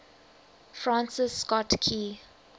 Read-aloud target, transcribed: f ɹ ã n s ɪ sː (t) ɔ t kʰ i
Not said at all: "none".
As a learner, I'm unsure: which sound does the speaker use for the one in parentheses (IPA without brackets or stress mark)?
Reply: k